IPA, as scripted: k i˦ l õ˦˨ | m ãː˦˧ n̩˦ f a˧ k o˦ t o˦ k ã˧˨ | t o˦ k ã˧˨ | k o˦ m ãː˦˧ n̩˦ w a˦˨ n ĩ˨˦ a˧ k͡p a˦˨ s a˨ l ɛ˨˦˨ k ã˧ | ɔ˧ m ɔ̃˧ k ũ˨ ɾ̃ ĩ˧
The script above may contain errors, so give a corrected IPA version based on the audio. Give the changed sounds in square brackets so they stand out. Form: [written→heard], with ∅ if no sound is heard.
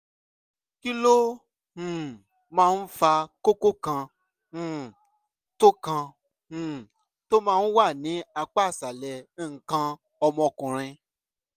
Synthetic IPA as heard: k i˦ l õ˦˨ | m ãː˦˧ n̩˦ f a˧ k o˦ [t→k] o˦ k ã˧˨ | t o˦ k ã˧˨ | [k→t] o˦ m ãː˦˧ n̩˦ w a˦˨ n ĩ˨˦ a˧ k͡p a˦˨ s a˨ l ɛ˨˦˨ k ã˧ | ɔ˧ m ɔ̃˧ k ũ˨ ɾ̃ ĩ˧